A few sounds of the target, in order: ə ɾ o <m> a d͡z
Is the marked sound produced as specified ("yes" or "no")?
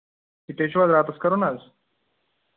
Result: no